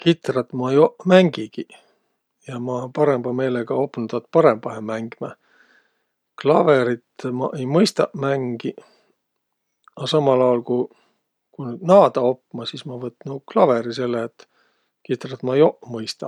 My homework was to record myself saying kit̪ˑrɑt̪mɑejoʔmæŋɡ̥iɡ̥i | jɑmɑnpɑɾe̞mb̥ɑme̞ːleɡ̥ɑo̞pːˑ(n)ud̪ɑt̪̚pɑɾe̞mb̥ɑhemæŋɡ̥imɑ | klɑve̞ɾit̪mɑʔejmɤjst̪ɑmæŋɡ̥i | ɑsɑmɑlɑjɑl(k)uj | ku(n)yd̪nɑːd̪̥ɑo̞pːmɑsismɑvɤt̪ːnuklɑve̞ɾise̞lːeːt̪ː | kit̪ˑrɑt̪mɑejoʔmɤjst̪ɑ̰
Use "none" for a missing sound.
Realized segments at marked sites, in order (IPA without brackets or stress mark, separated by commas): n, k, n